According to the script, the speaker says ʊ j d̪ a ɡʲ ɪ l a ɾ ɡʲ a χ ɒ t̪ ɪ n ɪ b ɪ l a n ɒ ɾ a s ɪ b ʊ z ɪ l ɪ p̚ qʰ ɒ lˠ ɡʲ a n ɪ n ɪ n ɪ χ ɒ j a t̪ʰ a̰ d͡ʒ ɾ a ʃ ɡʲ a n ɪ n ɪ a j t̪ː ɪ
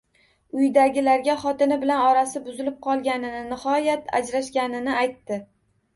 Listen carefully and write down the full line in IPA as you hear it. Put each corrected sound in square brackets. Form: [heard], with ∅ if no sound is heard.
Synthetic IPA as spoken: ʊ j d̪ a ɡʲ ɪ l a ɾ ɡʲ a χ ɒ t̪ ɪ n ɪ b ɪ l a n ɒ ɾ a s ɪ b ʊ z ɪ l ɪ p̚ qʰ ɒ lˠ ɡʲ a n ɪ n ɪ n ɪ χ ɒ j a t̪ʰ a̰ d͡ʒ ɾ a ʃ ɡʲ a n ɪ n ɪ a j t̪ː ɪ